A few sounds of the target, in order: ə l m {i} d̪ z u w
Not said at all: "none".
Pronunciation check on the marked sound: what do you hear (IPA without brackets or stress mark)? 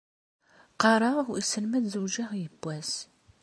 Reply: æ